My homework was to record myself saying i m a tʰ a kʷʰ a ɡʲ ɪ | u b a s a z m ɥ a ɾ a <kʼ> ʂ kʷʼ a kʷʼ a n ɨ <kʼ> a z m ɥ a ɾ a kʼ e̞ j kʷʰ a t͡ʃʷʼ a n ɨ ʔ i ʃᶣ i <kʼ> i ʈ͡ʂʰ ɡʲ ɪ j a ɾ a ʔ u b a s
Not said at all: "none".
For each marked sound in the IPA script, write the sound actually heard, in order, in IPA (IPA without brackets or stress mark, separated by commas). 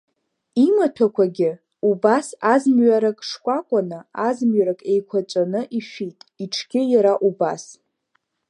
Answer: kʼ, none, tʼ